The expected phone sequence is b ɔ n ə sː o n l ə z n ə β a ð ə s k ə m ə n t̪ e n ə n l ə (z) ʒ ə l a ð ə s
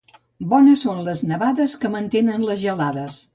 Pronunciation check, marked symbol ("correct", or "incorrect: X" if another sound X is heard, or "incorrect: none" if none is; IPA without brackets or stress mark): correct